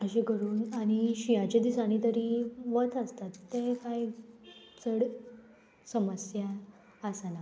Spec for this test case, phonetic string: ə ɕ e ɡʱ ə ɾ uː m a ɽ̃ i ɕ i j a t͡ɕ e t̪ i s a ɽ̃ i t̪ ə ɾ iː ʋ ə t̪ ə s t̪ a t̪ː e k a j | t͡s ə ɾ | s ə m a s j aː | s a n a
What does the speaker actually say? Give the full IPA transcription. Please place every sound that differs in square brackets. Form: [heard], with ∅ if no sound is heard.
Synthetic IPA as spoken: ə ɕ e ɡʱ ə ɾ uː [n] a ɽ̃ i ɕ i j a t͡ɕ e [d̪] i s a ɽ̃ i t̪ ə ɾ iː ʋ ə t̪ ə s t̪ a t̪ː e k a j | t͡s ə [ɽ] | s ə m [ə] s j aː | s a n a